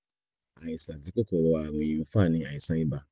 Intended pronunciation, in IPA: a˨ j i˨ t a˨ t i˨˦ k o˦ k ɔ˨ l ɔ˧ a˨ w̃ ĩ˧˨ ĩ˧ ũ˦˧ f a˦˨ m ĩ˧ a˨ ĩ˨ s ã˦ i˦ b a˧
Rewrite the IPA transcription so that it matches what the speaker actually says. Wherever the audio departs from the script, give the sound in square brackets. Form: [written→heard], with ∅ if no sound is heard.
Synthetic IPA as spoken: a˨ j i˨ [t→s] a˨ t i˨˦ k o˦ k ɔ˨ [l→ɾ] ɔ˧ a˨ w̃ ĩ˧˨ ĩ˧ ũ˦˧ f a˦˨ [m→n] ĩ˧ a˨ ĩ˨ s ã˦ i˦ b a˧